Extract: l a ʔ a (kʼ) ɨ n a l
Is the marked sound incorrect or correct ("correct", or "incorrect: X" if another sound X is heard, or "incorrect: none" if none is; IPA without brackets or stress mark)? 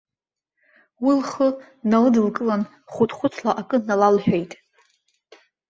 correct